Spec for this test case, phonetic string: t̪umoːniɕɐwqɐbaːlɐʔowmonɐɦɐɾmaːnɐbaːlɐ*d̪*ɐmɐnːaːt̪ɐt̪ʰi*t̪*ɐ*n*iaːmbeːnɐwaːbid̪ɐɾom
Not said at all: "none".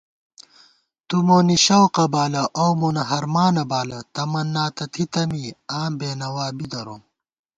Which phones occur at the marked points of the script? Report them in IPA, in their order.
t̪, t̪, m

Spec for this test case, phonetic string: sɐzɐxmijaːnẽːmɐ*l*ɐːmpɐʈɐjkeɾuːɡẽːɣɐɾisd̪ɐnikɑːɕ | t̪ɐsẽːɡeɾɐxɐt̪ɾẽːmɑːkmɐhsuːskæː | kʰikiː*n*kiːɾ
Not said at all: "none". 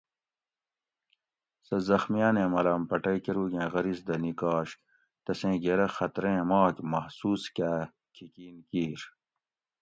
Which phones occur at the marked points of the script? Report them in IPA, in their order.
l, n

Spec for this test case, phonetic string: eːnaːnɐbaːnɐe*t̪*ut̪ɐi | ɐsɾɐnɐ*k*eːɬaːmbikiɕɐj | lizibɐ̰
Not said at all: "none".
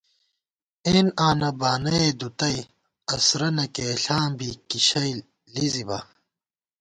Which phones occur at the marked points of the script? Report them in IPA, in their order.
d̪, k

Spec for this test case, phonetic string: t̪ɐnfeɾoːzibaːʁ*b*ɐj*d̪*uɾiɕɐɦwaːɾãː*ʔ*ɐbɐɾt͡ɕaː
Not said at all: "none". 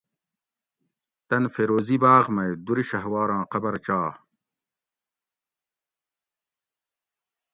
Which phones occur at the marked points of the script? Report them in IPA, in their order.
m, d̪, q

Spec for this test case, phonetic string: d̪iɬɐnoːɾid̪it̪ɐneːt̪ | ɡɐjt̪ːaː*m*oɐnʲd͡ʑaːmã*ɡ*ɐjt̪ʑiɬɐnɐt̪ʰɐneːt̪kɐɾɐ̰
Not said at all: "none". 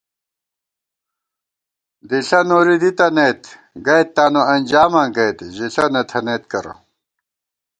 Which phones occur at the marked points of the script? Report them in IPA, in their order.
n, ɡ

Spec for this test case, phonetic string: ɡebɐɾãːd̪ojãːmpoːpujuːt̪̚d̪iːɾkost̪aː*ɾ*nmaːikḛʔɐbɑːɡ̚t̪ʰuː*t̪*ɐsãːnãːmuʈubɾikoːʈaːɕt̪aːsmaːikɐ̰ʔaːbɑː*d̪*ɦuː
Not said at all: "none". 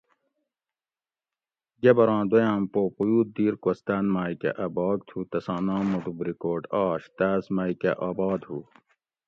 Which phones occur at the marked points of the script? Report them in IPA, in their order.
none, t̪, d̪

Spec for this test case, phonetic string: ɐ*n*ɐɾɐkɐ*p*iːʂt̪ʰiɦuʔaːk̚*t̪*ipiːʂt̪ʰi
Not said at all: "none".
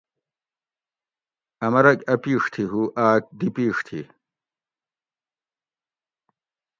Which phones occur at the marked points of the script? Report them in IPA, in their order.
m, p, d̪

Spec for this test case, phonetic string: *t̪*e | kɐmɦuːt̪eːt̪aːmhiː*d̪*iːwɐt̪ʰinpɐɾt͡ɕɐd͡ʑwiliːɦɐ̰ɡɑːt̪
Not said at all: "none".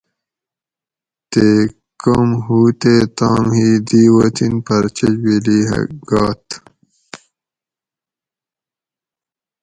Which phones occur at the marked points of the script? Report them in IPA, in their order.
t̪, d̪

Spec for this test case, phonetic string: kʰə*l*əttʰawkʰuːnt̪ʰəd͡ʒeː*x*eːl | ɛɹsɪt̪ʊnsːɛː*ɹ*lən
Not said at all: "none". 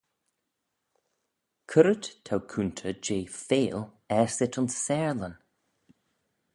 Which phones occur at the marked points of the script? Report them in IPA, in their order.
ɾ, f, ɹ

